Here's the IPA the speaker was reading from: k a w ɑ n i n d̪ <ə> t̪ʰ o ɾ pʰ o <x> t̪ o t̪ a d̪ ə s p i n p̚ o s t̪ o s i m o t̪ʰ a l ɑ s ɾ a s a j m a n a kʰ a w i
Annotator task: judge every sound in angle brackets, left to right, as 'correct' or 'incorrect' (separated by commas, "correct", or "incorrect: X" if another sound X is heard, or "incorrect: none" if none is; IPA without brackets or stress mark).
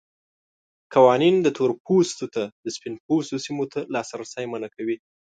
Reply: correct, incorrect: s